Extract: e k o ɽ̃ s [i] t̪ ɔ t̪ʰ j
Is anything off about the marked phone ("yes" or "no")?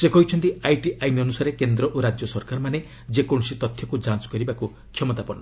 no